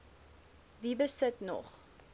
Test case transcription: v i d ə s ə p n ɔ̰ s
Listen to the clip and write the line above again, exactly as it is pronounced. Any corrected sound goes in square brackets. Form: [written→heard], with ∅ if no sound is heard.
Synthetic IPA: v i [d→b] ə s ə [p→t] n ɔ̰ [s→χ]